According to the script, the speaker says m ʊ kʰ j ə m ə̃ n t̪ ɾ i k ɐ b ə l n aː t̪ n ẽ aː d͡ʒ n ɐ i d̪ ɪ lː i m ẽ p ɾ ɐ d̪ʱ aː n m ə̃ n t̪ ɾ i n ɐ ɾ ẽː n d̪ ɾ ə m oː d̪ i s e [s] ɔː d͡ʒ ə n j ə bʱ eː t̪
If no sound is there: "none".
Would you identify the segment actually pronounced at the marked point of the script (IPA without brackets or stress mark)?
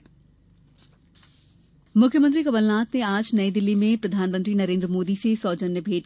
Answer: s